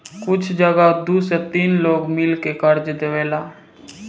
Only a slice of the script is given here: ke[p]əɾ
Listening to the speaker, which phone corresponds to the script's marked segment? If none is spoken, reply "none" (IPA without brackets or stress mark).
k